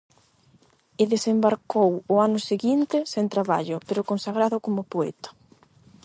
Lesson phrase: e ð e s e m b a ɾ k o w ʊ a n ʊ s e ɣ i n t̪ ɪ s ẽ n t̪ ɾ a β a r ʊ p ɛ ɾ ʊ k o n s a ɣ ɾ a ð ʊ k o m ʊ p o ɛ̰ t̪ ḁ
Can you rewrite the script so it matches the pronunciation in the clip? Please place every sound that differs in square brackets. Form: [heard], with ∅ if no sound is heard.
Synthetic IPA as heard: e ð e s e m b a ɾ k o w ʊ a n ʊ s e ɣ i n t̪ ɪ s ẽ n t̪ ɾ a β a [ʎ] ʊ p [e] ɾ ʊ k o n s a ɣ ɾ a ð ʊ k o m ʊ p o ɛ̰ t̪ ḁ